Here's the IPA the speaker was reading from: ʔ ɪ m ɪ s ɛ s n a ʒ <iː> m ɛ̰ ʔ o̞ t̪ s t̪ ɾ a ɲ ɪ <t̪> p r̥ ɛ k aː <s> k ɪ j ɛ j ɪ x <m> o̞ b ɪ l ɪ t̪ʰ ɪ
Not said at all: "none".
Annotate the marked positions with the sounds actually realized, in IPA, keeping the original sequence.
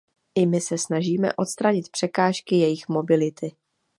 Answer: iː, t̪, ʃ, m

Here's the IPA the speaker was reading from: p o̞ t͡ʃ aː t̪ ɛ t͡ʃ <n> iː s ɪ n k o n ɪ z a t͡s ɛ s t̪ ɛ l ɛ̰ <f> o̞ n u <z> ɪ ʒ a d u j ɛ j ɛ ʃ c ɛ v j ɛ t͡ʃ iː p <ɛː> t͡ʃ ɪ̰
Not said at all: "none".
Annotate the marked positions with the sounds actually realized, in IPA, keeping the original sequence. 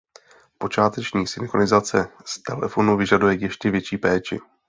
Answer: ɲ, f, v, ɛː

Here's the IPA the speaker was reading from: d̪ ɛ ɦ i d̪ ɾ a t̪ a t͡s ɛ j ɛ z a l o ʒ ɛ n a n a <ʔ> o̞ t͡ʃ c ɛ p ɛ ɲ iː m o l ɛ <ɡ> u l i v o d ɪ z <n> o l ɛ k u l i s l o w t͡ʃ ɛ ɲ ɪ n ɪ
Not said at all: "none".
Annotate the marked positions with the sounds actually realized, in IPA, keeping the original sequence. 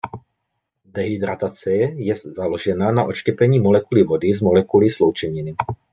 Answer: ʔ, k, m

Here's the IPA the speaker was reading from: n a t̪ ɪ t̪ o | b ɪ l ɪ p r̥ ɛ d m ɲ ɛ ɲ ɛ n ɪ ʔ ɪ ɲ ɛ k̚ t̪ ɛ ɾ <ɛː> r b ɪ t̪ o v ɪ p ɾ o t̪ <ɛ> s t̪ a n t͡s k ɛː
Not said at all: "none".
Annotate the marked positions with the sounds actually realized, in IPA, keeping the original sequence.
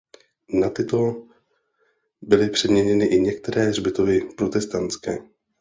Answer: ɛː, ɛ

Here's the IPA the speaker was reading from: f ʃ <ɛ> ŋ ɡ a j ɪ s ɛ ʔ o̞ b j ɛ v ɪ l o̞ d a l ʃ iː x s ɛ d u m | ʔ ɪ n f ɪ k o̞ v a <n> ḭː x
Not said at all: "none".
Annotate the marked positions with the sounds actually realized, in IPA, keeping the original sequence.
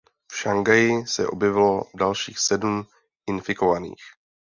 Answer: a, n

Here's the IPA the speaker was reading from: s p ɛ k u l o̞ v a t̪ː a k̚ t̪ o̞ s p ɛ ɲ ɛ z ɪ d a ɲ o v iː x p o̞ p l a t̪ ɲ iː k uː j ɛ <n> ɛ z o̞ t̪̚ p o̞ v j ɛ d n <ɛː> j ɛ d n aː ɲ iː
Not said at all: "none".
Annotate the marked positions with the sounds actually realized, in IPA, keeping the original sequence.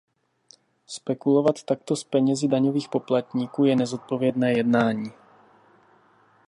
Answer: n, ɛː

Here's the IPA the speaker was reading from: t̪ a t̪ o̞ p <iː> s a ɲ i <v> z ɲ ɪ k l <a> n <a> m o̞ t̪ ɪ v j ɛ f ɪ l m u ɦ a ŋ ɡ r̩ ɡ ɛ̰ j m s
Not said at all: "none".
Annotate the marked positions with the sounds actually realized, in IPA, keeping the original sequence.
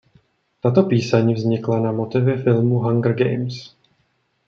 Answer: iː, v, a, a

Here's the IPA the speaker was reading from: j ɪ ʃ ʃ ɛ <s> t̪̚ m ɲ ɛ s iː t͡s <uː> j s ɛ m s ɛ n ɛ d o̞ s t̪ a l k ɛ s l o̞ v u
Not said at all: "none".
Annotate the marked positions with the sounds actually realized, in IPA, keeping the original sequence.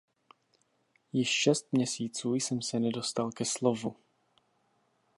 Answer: s, uː

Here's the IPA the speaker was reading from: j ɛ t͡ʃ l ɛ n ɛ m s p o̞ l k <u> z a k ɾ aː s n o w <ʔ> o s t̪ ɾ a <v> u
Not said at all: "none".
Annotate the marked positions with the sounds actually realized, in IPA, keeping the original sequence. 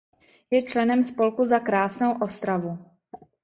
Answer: u, ʔ, v

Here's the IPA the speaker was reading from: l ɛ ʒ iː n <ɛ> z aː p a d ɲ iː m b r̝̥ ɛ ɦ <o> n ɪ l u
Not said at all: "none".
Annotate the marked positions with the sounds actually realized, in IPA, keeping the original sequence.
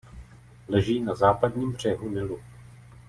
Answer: a, u

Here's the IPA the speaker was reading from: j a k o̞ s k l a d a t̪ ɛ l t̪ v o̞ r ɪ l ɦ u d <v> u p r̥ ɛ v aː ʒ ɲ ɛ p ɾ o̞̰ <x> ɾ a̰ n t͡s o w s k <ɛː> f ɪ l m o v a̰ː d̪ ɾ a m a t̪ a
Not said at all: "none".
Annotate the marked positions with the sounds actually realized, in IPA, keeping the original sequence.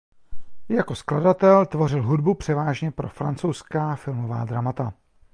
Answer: b, f, aː

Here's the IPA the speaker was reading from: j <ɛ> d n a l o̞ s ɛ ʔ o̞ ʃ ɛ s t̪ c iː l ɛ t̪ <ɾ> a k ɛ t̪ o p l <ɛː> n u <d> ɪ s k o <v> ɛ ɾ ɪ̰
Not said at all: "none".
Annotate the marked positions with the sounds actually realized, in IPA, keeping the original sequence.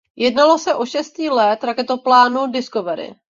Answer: ɛ, ɾ, aː, d, v

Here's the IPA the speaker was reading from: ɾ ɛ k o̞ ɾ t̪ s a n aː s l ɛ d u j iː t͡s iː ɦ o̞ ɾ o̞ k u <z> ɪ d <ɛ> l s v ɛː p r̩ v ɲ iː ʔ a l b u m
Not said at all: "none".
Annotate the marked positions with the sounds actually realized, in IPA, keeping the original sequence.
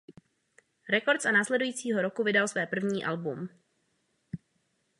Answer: v, a

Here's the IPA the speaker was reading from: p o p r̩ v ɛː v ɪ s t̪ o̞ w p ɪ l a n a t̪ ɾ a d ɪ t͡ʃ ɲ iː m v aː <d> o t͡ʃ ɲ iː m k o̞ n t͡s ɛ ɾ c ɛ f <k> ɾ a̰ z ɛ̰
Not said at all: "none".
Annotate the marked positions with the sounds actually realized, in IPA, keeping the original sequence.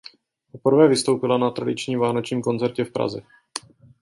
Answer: n, p

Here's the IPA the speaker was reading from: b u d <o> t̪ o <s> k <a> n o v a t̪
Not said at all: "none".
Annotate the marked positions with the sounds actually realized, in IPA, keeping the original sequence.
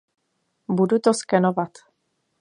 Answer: u, s, ɛ

